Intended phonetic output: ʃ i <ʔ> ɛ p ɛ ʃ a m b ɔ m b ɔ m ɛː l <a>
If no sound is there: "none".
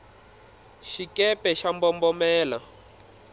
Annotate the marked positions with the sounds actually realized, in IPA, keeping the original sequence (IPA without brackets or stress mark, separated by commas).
k, a